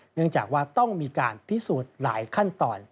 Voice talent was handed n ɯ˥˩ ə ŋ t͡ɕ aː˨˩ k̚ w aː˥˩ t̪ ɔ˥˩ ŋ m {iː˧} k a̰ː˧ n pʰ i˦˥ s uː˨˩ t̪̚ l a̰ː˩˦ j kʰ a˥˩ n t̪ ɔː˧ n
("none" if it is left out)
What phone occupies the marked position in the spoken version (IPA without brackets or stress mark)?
iː˧